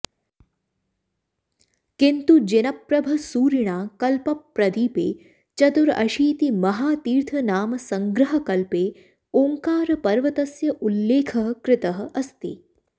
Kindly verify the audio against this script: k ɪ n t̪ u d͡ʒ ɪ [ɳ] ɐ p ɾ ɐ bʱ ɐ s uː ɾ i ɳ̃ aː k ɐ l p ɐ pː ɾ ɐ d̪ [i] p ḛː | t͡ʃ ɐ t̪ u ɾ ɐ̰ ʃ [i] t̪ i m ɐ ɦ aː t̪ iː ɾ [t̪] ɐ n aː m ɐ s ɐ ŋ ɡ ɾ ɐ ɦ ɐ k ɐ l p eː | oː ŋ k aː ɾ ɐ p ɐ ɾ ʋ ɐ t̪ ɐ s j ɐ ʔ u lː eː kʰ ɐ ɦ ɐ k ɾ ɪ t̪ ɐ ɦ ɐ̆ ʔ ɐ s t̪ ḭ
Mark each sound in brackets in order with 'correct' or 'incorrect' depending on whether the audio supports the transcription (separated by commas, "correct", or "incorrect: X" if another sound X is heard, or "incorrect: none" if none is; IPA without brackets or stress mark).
incorrect: n, incorrect: iː, incorrect: iː, incorrect: t̪ʰ